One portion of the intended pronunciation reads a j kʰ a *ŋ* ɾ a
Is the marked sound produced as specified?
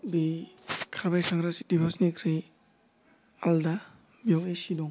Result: yes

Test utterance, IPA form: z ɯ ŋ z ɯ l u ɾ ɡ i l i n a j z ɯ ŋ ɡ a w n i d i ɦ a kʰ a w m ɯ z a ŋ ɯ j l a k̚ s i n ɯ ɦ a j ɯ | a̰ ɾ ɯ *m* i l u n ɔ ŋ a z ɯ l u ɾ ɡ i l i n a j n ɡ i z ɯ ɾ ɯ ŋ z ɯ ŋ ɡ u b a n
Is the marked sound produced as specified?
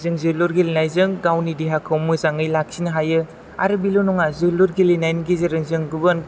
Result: no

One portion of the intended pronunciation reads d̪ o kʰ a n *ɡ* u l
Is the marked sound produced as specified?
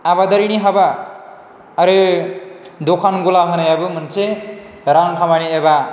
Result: yes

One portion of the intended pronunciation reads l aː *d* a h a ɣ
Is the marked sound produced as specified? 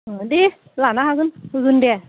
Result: no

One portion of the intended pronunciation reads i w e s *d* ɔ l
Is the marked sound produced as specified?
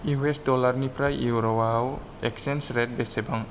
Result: yes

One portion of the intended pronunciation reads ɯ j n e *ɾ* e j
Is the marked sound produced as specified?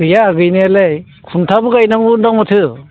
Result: no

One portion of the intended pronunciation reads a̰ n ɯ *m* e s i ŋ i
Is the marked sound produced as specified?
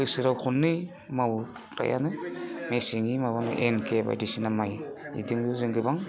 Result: yes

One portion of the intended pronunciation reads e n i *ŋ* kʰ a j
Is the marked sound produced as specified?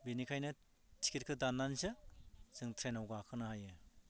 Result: no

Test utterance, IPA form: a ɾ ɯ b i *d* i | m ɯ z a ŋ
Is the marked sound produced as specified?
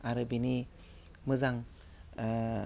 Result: no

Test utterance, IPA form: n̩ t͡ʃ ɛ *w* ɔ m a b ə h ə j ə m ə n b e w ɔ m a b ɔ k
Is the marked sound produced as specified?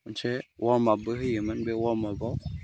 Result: yes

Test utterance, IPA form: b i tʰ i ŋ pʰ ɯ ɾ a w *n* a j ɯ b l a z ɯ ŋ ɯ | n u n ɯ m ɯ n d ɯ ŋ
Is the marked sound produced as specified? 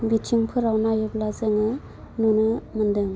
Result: yes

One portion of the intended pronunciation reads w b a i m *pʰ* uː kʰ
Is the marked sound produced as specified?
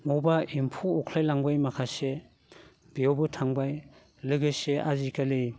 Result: yes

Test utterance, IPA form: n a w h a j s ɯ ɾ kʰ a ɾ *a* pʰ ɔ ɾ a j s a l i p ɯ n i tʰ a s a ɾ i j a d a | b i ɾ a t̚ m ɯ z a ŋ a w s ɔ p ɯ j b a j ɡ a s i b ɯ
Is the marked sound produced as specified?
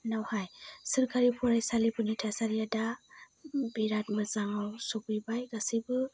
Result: no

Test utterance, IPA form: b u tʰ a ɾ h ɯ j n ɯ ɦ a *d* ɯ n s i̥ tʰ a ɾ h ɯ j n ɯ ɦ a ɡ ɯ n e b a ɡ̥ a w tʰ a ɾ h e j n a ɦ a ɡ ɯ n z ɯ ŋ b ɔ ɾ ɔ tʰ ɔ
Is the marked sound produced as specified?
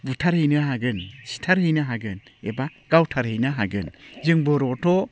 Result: no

